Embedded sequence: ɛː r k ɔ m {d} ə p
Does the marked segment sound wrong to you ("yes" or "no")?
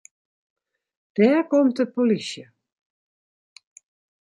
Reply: yes